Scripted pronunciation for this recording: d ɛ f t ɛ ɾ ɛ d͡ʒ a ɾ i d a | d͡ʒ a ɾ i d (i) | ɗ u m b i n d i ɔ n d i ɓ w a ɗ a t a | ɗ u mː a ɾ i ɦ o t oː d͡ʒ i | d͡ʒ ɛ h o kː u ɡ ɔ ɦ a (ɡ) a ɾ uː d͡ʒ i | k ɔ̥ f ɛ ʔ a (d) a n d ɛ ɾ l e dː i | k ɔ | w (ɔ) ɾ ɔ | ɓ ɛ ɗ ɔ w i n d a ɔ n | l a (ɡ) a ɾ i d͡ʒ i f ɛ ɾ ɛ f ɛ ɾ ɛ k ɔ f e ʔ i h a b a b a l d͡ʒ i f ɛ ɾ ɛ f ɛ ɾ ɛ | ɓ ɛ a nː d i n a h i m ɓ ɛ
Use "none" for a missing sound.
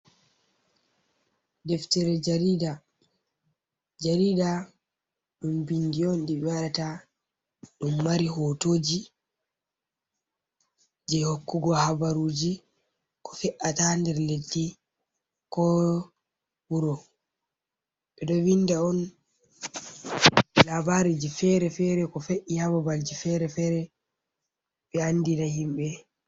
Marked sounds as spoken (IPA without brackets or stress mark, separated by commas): a, b, t, u, b